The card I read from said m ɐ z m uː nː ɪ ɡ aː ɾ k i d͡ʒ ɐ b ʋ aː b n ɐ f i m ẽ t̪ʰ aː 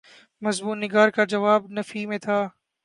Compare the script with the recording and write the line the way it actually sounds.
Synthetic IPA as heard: m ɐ z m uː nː ɪ ɡ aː ɾ k a d͡ʒ ɐ ʋ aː b n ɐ f i m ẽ t̪ʰ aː